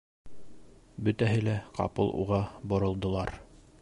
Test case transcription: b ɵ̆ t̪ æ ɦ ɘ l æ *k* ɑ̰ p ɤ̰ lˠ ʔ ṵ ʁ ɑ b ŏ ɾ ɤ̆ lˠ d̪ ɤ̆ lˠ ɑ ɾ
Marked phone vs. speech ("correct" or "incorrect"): incorrect